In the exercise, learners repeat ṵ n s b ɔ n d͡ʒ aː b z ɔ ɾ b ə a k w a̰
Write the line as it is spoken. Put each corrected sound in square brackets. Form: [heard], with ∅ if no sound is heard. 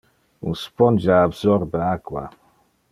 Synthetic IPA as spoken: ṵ n s [p] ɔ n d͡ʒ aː b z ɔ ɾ b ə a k w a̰